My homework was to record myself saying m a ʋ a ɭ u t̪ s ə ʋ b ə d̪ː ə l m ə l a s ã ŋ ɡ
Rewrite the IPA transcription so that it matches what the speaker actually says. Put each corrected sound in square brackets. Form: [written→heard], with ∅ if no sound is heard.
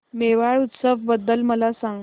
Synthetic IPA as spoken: m [a→e] ʋ a ɭ u t̪ s ə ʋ b ə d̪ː ə l m ə l a s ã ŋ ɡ